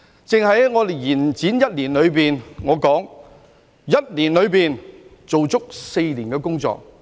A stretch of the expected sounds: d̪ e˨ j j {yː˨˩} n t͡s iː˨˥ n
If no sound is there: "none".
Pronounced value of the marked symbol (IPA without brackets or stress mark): iː˨˩